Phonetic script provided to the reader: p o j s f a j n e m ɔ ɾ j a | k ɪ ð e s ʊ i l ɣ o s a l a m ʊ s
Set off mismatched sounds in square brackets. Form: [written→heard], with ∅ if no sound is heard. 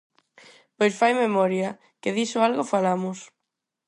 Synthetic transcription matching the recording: p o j s f a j [n→m] e m ɔ ɾ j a | k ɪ ð [e→i] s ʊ [i→a] l ɣ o [s→f] a l a m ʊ s